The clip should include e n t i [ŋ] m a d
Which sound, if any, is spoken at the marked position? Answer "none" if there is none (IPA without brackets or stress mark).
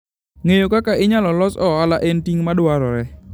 ŋ